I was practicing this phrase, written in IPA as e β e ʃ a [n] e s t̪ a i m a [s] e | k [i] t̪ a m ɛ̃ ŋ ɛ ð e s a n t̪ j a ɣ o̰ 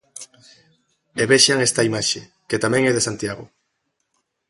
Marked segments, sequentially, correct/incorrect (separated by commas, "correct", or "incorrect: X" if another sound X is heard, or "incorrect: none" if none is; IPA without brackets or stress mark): incorrect: ŋ, incorrect: ʃ, incorrect: e